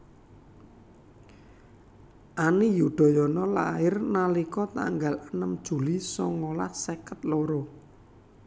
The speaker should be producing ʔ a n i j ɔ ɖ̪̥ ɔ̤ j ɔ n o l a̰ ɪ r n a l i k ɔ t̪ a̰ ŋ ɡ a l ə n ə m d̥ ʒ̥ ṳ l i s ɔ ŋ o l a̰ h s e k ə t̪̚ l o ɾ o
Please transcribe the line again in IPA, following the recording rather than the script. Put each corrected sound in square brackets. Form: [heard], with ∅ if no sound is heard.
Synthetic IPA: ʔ a n i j [u] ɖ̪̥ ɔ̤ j ɔ n [ɔ] l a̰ ɪ r n a l i k ɔ t̪ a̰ ŋ ɡ a l ə n ə m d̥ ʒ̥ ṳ l i s ɔ ŋ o l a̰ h s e k ə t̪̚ l o ɾ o

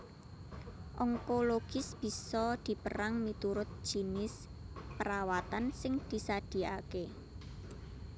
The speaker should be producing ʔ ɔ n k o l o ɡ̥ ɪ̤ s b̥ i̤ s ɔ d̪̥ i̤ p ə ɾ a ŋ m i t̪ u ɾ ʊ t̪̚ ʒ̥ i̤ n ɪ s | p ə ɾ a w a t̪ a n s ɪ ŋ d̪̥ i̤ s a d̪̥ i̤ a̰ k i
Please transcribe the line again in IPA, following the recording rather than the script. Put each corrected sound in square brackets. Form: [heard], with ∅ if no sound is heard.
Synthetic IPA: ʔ ɔ [ŋ] k o l o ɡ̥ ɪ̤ s b̥ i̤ s ɔ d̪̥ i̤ p ə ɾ a ŋ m i t̪ u ɾ ʊ t̪̚ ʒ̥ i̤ n ɪ s | p ə ɾ a w a t̪ a n s ɪ ŋ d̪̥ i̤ s a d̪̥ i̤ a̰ k [e]

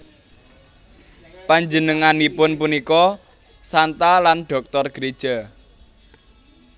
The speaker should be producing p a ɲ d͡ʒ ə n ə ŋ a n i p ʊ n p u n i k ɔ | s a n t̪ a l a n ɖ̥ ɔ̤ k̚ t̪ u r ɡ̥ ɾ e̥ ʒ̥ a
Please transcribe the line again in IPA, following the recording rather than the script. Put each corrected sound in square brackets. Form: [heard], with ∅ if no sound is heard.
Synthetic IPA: p a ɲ d͡ʒ ə n ə ŋ a n i p ʊ n p u n i k ɔ | s a n t̪ a l a n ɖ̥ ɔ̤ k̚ t̪ [ɔ] r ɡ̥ ɾ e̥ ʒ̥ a

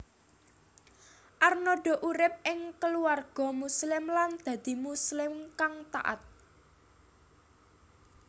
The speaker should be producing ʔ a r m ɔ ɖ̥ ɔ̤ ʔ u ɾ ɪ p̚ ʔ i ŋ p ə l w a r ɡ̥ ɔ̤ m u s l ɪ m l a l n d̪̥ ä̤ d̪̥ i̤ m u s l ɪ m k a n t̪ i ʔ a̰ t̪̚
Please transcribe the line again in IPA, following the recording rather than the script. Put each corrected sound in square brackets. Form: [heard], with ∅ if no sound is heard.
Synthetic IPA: ʔ a r [n] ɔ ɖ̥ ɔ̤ ʔ u ɾ ɪ p̚ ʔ [ɪ] ŋ [k] ə l [u] a r ɡ̥ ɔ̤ m u s l ɪ m l a [∅] n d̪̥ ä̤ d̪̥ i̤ m u s l ɪ m k a [ŋ] t̪ [a] ʔ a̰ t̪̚

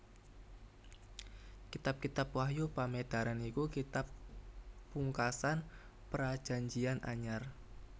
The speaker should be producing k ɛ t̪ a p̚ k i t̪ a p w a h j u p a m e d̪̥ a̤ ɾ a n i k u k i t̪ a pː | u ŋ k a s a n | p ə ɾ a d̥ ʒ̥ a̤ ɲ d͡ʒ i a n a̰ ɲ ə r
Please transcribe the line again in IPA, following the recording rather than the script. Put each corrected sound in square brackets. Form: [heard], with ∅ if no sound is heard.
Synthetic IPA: k [i] t̪ a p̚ k i t̪ a p w a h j u p a m e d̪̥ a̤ ɾ a n i k u k i t̪ a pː | u ŋ k a s a n | p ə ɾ a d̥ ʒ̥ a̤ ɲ d͡ʒ i a n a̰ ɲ [a] r

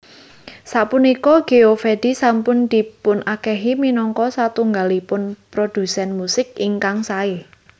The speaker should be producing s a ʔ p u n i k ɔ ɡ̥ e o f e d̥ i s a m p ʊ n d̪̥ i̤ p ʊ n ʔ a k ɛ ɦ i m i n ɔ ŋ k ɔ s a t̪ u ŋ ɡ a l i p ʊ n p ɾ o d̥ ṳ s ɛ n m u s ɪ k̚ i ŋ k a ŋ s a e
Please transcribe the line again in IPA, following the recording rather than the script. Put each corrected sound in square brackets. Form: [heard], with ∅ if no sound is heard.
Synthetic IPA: s a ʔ p u n i k ɔ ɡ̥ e o f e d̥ i s a m p ʊ n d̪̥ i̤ p ʊ n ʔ a k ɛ ɦ i m i n ɔ ŋ k ɔ s a t̪ u ŋ ɡ a l i p ʊ n p ɾ o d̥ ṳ s ɛ n m u s ɪ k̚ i ŋ k a ŋ s a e

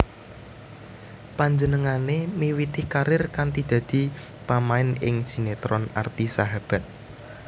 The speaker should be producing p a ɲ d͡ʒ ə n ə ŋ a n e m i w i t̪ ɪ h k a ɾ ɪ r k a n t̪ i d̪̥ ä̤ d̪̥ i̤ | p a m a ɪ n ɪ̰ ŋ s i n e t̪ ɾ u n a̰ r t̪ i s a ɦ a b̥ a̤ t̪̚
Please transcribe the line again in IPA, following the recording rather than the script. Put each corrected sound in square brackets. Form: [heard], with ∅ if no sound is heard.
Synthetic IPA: p a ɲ d͡ʒ ə n ə ŋ a n e m i w i t̪ ɪ h k a ɾ ɪ r k a n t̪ i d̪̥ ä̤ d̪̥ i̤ | p a m a ɪ n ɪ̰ ŋ s i n e t̪ ɾ [ɔ] n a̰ r t̪ i s a ɦ a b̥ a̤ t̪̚

